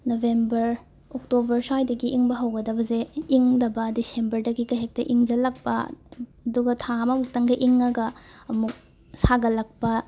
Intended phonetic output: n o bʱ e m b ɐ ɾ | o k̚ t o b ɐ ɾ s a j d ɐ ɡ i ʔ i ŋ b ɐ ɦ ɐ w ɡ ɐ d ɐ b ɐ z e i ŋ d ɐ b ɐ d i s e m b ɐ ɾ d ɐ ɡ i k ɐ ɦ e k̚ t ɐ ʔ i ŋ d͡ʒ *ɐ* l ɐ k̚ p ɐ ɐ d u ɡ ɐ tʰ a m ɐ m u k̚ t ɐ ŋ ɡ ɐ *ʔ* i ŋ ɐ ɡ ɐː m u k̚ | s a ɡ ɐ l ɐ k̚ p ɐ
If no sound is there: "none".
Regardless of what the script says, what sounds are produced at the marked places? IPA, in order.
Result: ɐ, ʔ

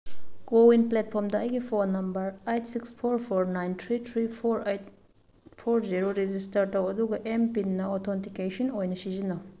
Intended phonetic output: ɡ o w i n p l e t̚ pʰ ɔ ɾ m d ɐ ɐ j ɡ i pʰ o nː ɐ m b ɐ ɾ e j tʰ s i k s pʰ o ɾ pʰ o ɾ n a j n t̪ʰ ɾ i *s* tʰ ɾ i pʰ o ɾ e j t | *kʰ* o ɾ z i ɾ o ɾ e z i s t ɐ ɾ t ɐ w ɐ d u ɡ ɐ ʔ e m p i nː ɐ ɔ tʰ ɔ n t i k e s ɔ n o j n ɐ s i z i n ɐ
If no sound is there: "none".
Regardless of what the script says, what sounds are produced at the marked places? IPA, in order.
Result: none, pʰ

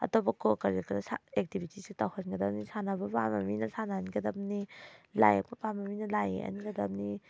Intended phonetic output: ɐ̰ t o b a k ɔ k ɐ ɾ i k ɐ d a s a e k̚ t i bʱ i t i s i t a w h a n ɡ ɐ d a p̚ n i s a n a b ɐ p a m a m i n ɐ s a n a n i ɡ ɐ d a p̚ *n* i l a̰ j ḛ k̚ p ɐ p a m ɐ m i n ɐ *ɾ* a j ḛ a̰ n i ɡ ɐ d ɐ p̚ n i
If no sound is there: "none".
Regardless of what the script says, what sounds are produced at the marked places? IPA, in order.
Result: n, l

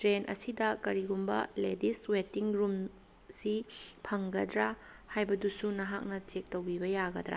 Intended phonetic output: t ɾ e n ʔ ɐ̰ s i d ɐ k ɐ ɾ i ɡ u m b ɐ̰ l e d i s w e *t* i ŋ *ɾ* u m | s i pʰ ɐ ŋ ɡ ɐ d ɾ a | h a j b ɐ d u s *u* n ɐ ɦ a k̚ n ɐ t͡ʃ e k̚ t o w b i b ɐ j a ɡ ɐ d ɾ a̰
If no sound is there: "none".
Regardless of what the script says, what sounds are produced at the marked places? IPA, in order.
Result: t, ɾ, u

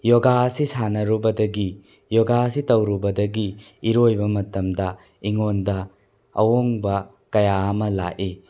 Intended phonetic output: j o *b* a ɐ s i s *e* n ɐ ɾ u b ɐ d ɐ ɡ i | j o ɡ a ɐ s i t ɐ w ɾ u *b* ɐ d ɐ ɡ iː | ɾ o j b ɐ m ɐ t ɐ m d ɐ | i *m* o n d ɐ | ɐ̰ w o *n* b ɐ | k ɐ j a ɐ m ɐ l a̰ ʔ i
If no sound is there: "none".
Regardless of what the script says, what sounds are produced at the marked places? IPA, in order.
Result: ɡ, a, b, ŋ, ŋ

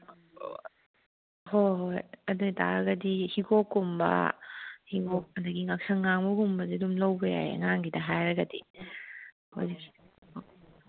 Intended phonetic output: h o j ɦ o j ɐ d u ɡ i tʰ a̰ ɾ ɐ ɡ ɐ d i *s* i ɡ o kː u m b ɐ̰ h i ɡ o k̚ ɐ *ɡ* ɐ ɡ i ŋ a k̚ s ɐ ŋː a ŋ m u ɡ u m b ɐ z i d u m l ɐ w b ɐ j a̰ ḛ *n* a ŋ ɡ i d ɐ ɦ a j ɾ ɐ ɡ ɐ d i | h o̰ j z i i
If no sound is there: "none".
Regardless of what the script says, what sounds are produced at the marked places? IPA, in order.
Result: h, d, ŋ

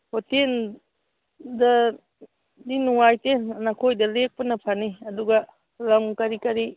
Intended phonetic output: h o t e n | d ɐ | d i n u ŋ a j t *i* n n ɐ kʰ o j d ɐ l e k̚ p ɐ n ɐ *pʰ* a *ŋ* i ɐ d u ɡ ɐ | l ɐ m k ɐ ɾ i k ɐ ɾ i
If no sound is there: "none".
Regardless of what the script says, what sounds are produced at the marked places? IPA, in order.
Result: e, pʰ, n

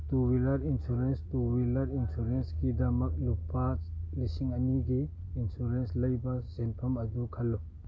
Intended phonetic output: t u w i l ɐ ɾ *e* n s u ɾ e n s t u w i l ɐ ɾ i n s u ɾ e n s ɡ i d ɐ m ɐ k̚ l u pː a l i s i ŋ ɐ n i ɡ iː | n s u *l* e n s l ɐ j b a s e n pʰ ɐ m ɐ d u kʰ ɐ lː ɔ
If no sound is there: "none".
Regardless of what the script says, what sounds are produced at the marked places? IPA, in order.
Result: i, ɾ

